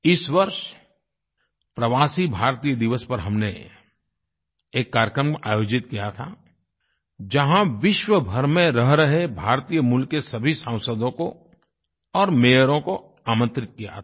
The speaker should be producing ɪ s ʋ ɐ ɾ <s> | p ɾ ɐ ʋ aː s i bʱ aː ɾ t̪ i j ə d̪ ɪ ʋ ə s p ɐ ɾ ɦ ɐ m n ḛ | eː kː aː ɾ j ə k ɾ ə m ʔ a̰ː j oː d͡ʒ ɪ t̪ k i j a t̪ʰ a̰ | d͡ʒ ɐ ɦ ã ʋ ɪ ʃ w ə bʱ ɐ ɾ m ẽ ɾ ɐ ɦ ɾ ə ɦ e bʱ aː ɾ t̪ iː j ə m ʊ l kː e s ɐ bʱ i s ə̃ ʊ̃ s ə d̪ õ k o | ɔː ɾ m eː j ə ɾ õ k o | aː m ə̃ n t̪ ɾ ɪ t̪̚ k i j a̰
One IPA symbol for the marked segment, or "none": ʃ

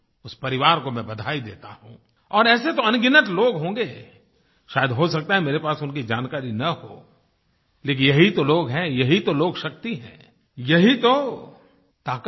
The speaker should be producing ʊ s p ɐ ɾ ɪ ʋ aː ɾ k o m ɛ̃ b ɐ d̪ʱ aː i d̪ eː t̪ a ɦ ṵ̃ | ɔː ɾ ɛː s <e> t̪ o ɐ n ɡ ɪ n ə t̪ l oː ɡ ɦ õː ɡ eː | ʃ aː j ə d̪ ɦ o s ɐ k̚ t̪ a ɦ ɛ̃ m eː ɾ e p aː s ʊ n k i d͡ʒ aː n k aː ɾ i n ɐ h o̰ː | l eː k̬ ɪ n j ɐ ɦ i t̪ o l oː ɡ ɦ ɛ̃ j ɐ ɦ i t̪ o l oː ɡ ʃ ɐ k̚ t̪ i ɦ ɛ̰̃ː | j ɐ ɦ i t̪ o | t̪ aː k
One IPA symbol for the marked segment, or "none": e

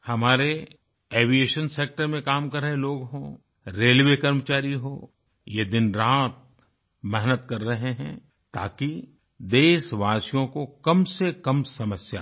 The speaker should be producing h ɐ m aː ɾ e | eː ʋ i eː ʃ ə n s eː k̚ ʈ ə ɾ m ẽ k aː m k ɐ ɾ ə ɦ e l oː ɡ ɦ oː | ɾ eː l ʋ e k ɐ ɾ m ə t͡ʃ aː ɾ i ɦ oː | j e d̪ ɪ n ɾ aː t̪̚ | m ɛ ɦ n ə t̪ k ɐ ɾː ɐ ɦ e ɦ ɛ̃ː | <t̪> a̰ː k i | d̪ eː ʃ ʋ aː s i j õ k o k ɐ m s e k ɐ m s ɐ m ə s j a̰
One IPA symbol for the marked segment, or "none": t̪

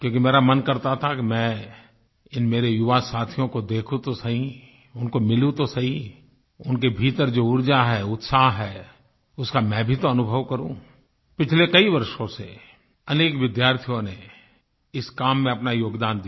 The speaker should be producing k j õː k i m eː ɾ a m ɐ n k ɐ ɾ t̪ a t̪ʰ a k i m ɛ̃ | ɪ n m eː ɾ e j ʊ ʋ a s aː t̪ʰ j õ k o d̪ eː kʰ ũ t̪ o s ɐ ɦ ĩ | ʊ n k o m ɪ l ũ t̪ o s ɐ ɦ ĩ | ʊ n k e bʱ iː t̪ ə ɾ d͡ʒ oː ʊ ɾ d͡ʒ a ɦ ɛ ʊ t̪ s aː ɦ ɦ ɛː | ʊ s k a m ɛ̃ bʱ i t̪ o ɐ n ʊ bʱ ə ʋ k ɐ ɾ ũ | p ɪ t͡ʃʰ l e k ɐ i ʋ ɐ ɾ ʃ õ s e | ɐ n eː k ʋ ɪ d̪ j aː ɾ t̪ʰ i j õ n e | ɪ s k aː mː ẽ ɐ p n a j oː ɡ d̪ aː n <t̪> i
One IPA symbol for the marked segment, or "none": d̪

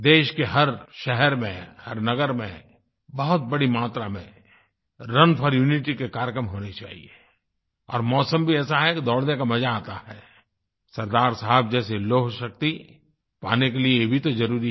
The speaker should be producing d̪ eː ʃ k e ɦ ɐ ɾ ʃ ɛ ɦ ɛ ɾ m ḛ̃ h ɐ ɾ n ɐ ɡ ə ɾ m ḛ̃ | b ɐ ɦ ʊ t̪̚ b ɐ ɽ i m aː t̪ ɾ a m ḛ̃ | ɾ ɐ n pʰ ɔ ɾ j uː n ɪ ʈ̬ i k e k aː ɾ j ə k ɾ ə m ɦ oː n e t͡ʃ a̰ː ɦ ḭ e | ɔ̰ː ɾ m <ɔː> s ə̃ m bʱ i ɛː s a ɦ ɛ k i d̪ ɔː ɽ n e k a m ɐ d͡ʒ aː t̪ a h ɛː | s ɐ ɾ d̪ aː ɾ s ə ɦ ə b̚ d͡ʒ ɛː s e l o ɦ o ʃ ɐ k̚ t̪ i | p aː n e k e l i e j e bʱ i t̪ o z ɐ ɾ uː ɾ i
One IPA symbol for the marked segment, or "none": ɔː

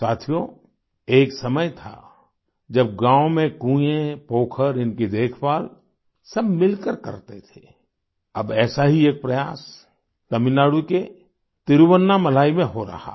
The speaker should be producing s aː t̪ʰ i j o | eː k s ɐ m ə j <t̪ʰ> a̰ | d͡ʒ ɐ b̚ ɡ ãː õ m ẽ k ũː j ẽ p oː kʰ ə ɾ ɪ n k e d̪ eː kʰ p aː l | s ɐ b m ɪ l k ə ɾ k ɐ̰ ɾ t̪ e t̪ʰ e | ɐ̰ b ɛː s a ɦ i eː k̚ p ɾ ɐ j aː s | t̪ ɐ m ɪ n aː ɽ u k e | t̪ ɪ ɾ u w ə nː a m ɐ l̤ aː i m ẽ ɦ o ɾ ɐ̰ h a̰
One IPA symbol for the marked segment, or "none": t̪ʰ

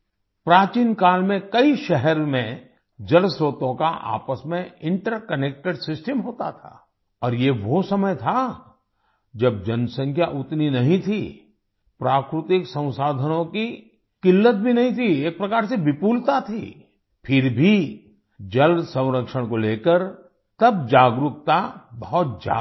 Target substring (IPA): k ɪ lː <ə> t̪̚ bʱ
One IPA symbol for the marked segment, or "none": ə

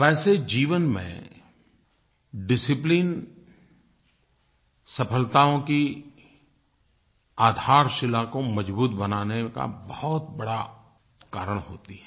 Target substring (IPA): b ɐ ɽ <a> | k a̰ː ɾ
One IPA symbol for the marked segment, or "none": a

